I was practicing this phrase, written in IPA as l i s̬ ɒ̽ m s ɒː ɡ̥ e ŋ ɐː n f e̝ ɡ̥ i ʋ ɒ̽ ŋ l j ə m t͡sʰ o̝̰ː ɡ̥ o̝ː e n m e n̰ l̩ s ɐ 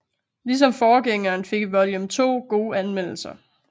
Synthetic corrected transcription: l i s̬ ɒ̽ m f ɒː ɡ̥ e ŋ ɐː n f e̝ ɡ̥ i ʋ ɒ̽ l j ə m t͡sʰ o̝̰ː ɡ̥ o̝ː æ n m e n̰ l̩ s ɐ